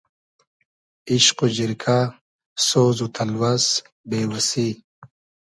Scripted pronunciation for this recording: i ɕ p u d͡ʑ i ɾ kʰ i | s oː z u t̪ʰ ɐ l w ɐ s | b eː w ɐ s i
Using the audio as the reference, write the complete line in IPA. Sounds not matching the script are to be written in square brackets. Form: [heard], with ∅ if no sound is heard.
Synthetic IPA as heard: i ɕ [q] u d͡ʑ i ɾ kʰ [a] | s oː z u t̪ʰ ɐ l w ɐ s | b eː w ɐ s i